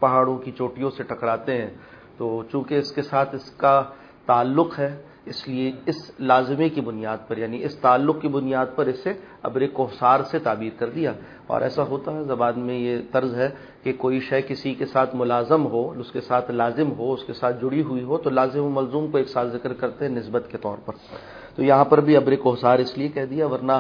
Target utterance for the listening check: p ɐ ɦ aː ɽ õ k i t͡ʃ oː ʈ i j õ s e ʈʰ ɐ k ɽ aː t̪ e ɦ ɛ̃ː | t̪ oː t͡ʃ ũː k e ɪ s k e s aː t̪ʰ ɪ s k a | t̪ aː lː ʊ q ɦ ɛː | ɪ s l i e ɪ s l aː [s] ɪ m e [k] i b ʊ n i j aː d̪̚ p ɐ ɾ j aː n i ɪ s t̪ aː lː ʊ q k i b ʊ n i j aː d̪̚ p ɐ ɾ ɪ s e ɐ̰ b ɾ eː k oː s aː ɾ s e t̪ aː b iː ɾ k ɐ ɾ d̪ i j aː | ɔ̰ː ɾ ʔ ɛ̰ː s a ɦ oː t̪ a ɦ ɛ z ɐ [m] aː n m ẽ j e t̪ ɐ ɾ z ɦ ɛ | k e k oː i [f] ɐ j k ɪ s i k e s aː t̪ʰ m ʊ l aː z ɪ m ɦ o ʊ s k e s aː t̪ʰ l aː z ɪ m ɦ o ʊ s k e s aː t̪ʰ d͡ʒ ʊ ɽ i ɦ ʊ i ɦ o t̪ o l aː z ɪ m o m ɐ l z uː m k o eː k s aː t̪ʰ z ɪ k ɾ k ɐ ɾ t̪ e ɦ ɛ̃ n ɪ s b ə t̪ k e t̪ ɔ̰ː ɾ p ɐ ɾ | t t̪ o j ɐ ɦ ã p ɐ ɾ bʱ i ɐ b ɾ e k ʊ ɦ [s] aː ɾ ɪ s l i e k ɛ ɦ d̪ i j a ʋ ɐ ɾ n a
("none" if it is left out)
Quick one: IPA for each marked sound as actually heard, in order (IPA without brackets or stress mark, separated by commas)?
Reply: z, k, b, ʃ, s